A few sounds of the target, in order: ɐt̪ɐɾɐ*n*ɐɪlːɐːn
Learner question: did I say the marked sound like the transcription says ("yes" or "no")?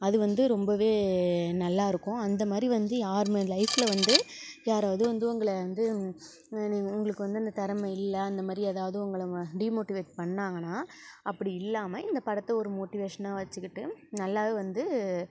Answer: no